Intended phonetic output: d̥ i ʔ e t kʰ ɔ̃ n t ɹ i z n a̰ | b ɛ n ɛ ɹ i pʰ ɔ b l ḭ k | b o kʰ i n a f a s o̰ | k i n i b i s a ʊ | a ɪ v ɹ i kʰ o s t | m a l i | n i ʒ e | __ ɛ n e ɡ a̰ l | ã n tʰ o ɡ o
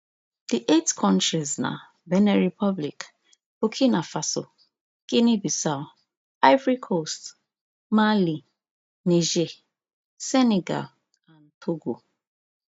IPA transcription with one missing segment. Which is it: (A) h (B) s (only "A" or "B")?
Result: B